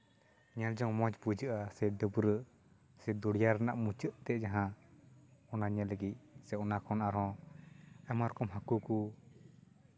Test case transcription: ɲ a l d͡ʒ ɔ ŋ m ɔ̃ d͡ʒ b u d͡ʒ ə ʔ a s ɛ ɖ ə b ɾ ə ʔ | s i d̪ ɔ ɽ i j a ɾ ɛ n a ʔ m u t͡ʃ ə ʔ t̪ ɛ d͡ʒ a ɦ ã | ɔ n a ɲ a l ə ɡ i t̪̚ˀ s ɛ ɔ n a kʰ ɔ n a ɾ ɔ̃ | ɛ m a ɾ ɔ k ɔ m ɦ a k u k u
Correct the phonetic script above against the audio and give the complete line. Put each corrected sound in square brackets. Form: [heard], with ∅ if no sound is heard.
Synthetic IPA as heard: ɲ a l d͡ʒ ɔ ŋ m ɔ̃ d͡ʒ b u d͡ʒ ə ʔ a s ɛ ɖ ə b ɾ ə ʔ | s [ɛ] d̪ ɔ ɽ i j a ɾ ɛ n a ʔ m u t͡ʃ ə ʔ t̪ ɛ d͡ʒ a ɦ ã | ɔ n a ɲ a l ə ɡ i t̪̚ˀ s ɛ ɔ n a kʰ ɔ n a ɾ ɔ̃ | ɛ m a ɾ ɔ k ɔ m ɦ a k u k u

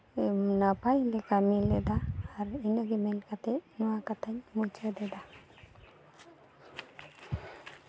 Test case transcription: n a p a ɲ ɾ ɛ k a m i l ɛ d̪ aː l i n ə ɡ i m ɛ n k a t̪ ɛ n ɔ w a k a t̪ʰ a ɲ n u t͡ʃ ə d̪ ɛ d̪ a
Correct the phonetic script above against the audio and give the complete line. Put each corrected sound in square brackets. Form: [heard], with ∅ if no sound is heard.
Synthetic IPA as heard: n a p a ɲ [l] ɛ k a m i l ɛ d̪ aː [ɾ] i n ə ɡ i m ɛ n k a t̪ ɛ n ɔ w a k a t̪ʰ a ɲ [m] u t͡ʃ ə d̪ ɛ d̪ a

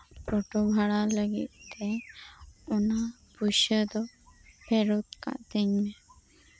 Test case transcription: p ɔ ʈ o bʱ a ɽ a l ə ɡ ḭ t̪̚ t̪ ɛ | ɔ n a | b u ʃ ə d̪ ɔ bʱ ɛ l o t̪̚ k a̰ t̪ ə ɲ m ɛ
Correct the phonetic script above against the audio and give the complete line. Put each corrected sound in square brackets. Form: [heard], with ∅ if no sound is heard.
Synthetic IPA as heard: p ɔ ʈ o bʱ a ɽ a l ə ɡ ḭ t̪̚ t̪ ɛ | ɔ n a | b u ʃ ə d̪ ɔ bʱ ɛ [ɾ] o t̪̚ k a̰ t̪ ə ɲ m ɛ

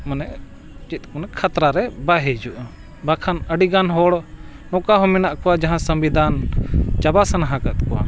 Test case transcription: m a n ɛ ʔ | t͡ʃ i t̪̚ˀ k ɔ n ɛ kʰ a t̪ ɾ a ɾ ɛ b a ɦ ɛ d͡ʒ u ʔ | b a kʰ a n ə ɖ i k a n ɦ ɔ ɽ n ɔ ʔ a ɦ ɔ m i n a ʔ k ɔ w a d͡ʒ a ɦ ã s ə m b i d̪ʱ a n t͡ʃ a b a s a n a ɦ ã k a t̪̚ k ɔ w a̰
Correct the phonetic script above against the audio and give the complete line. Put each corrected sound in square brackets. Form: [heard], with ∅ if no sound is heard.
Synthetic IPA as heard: m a n ɛ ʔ | t͡ʃ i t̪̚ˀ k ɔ n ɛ kʰ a t̪ ɾ a ɾ ɛ b a ɦ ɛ d͡ʒ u ʔ | b a kʰ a n ə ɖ i [ɡ] a n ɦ ɔ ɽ n ɔ [k] a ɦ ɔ m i n a ʔ k ɔ w a d͡ʒ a ɦ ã s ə m b i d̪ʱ a n t͡ʃ a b a s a n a ɦ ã k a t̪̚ k ɔ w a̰

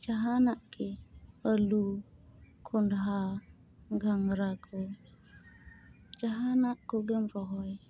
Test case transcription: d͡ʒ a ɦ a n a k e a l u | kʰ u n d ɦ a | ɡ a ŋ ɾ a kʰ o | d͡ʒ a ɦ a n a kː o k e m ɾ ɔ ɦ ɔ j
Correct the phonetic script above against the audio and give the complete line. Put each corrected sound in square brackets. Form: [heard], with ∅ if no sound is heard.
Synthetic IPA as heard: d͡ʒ a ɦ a n a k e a l u | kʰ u n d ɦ a | ɡ a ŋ ɾ a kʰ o | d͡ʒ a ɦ a n a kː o [ɡ] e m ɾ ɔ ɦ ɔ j

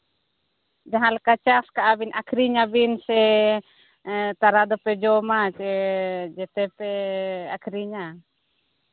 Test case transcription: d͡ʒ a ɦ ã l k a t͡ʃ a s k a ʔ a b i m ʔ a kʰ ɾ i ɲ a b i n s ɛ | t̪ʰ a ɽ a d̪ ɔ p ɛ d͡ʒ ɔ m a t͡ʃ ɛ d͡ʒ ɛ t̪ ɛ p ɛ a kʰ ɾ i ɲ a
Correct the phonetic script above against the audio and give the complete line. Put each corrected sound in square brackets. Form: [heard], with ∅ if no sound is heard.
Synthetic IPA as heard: d͡ʒ a ɦ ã l k a t͡ʃ a s k a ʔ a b i [n] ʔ a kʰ ɾ i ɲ a b i n s ɛ | [t̪] a [ɾ] a d̪ ɔ p ɛ d͡ʒ ɔ m a t͡ʃ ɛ d͡ʒ ɛ t̪ ɛ p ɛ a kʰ ɾ i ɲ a

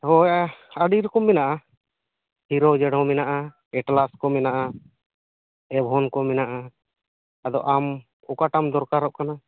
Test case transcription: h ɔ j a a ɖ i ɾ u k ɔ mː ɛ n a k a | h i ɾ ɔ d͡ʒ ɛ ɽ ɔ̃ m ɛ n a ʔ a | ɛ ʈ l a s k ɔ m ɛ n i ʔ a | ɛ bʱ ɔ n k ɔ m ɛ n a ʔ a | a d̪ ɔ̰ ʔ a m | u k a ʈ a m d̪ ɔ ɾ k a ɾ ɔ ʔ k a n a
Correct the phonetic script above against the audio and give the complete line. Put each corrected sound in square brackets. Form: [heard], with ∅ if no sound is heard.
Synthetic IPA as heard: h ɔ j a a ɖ i ɾ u k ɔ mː ɛ n a [ʔ] a | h i ɾ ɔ d͡ʒ ɛ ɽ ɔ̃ m ɛ n a ʔ a | ɛ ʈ l a s k ɔ m ɛ n [a] ʔ a | ɛ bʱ ɔ n k ɔ m ɛ n a ʔ a | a d̪ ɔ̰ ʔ a m | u k a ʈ a m d̪ ɔ ɾ k a ɾ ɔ ʔ k a n a

